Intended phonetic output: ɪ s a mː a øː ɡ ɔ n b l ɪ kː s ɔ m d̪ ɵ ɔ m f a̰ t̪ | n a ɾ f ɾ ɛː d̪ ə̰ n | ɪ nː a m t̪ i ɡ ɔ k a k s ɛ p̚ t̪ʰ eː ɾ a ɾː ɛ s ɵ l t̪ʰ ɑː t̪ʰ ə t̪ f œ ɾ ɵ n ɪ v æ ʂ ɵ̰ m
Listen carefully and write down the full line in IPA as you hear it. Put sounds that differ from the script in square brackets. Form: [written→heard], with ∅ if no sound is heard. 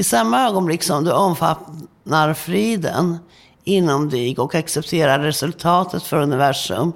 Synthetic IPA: ɪ s a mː a øː ɡ ɔ n b l ɪ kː s ɔ m d̪ ɵ ɔ m f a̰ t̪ | n a ɾ f ɾ [ɛː→iː] d̪ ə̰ n | ɪ nː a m [t̪→d̪] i ɡ ɔ k a k s ɛ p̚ t̪ʰ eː ɾ a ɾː ɛ s ɵ l t̪ʰ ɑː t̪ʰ ə t̪ f œ ɾ ɵ n ɪ v æ ʂ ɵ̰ m